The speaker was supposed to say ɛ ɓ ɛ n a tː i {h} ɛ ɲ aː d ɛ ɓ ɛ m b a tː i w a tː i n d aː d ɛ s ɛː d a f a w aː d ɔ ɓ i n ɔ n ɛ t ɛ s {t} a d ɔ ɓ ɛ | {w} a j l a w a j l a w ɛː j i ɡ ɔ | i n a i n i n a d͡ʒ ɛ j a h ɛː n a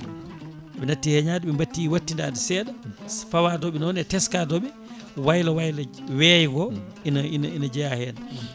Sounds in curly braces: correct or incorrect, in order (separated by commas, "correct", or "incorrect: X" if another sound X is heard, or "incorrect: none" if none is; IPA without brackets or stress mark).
correct, incorrect: k, correct